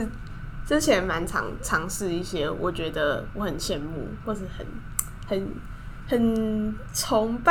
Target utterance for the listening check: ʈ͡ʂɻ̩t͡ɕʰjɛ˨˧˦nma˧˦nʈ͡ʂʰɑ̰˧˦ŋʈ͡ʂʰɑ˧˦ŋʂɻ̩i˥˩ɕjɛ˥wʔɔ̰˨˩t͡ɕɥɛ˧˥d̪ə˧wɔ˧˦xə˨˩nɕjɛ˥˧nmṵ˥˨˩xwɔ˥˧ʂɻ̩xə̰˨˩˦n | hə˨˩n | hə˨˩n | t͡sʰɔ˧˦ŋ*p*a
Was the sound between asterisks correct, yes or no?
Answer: yes